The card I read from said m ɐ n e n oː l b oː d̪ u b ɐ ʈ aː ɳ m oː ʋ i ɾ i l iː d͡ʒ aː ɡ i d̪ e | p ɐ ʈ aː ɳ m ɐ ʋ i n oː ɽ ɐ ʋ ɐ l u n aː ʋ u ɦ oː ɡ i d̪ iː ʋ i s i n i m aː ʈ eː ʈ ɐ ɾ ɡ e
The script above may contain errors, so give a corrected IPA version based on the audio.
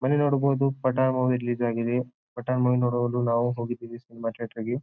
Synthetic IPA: m ɐ n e n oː ɽ b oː d̪ u p ɐ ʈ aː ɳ m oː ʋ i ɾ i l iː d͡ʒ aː ɡ i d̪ e | p ɐ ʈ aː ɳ m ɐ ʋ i n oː ɽ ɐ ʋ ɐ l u n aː ʋ u ɦ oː ɡ i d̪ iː ʋ i s i n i m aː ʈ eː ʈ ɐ ɾ ɡ e